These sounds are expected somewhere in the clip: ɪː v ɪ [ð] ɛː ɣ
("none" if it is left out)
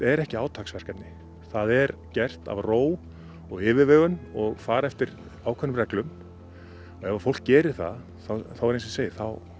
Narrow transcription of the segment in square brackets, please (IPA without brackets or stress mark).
v